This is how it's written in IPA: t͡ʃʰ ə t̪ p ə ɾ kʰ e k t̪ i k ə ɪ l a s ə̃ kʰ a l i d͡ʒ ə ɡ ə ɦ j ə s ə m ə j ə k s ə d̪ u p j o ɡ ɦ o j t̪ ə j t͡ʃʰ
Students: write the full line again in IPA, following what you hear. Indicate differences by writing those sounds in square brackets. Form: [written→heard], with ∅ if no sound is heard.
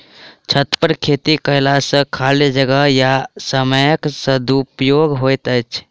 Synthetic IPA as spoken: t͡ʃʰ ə t̪ p ə ɾ kʰ e [k→∅] t̪ i k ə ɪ l a s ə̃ kʰ a l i d͡ʒ ə ɡ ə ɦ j [ə→a] s ə m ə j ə k s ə d̪ u p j o ɡ ɦ o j t̪ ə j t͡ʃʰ